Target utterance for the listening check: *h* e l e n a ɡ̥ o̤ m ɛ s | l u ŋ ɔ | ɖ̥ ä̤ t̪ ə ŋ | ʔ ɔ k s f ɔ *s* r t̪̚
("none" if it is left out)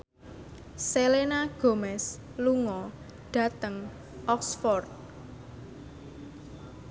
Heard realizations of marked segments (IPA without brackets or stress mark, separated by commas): s, none